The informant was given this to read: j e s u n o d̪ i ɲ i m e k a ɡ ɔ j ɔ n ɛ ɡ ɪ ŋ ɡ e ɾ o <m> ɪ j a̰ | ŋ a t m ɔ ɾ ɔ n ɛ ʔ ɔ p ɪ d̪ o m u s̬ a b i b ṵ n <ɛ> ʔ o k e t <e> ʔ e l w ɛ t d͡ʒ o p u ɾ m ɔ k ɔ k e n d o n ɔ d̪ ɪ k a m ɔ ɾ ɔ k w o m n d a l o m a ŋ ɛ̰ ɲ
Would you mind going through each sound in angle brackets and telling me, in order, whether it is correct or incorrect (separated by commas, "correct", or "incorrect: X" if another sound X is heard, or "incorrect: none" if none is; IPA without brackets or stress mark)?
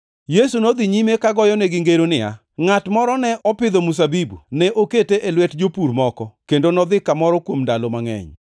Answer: incorrect: n, correct, correct